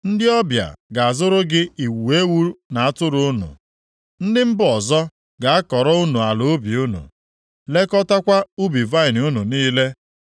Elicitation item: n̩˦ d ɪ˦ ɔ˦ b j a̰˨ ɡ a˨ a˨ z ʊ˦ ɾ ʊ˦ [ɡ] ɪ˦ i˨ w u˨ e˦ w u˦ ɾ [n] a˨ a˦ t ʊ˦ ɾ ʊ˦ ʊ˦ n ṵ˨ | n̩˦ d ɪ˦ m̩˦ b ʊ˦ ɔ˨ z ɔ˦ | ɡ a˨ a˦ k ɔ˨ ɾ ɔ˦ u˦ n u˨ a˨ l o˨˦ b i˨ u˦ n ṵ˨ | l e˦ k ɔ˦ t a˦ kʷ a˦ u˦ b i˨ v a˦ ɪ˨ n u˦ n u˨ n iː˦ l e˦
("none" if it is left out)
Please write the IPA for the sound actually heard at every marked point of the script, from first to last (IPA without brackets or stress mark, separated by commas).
ɡ, n